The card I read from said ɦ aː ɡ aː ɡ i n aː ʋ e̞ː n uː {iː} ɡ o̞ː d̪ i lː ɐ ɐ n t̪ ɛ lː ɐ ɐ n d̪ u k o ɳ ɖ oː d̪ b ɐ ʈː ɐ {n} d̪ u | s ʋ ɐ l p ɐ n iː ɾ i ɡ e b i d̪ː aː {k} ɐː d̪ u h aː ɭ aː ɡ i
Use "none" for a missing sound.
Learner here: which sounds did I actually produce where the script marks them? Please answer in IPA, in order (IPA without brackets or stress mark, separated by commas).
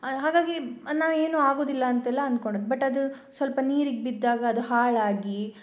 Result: aː, none, ɡ